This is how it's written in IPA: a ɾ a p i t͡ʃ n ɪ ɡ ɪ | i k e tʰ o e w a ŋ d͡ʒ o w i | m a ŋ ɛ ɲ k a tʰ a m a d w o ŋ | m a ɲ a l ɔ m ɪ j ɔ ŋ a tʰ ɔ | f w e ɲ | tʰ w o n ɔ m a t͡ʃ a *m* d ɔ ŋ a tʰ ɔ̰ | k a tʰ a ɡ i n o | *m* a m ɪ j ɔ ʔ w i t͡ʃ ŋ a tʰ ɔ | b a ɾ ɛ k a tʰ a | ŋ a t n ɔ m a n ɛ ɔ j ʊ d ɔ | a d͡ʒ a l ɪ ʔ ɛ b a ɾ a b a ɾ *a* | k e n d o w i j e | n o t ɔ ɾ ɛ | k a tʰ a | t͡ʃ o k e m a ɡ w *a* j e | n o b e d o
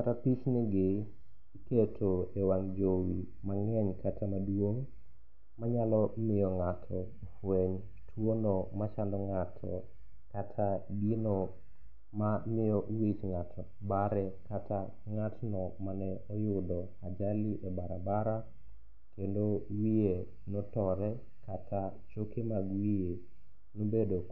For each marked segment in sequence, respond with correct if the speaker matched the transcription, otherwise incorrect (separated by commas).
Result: incorrect, correct, correct, incorrect